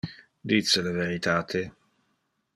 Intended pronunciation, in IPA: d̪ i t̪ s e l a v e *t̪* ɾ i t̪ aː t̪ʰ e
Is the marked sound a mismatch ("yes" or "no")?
yes